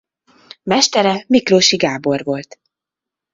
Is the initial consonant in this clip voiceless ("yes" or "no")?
no